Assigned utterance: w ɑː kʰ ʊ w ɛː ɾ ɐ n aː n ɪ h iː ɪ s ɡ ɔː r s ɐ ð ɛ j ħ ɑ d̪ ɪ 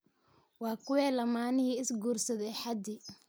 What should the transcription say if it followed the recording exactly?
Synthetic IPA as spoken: w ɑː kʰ ʊ w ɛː l ɐ m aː n ɪ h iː ɪ s ɡ uː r s ɐ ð ɛ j ħ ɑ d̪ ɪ